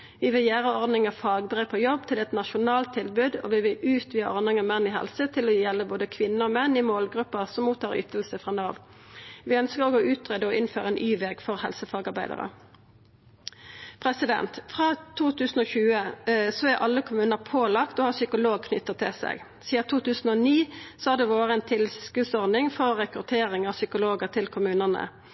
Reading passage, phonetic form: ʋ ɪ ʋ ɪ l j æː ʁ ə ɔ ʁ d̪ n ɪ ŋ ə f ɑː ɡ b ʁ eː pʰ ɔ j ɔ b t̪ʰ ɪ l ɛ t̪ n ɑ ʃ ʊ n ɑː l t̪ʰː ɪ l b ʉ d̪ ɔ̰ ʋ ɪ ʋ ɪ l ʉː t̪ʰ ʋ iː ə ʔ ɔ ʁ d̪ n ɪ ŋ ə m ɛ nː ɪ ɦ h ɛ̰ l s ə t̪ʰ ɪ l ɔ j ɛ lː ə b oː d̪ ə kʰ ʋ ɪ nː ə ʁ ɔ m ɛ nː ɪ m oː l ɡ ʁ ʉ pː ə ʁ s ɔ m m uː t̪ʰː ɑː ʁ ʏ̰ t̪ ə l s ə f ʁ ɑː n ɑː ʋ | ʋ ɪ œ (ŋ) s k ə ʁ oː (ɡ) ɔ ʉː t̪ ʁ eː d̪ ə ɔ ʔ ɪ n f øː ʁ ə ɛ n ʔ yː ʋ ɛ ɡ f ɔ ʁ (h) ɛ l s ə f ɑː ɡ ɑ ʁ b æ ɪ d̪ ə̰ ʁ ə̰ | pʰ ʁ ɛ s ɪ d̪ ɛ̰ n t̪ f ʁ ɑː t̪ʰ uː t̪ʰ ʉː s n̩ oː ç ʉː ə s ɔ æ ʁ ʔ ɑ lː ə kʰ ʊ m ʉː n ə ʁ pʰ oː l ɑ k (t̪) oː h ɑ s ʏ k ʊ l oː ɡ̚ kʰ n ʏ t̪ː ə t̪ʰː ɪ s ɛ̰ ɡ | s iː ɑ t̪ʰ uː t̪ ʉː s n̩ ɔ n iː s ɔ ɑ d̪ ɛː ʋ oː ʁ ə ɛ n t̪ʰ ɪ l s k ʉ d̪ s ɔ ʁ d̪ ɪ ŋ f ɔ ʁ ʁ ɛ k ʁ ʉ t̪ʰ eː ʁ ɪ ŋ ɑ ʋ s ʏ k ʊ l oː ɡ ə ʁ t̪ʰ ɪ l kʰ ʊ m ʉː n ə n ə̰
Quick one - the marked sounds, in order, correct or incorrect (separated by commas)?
incorrect, correct, correct, correct